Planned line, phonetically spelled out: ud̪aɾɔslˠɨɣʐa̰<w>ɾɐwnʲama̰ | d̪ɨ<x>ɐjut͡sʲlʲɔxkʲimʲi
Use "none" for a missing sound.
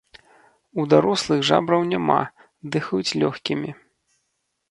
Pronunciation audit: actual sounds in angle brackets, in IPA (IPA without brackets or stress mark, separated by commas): b, x